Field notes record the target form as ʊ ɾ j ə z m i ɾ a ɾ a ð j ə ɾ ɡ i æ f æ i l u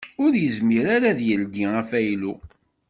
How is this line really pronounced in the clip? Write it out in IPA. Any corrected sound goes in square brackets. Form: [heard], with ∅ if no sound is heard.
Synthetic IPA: ʊ ɾ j ə z m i ɾ a ɾ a ð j ə [l] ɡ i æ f æ [j] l u